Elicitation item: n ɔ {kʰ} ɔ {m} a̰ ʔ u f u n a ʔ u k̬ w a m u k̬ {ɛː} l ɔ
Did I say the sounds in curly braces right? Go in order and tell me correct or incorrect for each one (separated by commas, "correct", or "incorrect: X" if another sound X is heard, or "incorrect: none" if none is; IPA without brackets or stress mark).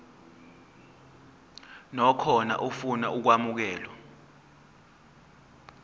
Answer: correct, incorrect: n, correct